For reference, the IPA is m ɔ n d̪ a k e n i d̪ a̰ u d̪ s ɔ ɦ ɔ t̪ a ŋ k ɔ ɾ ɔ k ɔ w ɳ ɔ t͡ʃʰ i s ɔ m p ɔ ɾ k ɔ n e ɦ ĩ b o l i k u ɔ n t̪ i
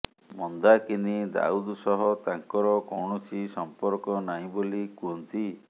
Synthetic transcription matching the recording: m ɔ n d̪ a k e n i d̪ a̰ u d̪ s ɔ ɦ ɔ t̪ a ŋ k ɔ ɾ ɔ k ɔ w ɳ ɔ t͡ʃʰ i s ɔ m p ɔ ɾ k ɔ n a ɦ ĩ b o l i k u ɔ n t̪ i